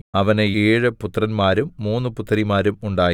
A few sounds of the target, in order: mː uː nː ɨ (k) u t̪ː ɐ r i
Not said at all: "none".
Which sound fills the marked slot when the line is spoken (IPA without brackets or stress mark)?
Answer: p